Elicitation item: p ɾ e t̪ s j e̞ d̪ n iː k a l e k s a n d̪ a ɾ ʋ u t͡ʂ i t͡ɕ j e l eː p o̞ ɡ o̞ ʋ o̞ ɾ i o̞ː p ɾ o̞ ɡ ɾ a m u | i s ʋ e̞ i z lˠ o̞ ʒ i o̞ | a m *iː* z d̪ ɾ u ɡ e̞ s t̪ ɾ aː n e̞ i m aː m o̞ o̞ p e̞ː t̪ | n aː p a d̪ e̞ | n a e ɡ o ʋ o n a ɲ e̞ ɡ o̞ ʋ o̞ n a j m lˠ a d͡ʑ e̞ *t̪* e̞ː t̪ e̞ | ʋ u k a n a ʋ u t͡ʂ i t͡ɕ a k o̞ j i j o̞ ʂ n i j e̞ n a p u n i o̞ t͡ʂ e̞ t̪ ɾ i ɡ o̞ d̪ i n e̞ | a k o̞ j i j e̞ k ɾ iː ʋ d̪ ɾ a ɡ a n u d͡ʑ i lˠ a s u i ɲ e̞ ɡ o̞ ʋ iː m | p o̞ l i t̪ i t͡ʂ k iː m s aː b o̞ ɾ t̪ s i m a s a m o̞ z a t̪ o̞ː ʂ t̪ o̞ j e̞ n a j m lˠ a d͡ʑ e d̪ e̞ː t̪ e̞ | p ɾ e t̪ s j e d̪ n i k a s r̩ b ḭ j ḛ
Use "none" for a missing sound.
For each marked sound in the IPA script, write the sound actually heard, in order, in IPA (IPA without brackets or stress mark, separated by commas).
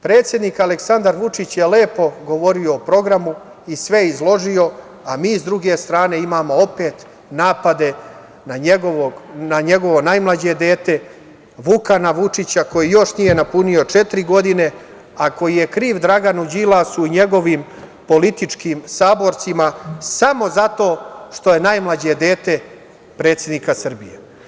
iː, d̪